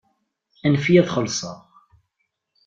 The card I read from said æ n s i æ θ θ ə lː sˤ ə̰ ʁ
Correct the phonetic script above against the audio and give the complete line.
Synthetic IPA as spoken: æ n f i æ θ χ ə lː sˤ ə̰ ʁ